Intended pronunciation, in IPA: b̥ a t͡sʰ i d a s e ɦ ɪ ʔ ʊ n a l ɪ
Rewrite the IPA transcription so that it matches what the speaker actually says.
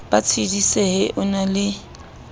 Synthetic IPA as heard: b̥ a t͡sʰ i d i s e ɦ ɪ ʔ ʊ n a l ɪ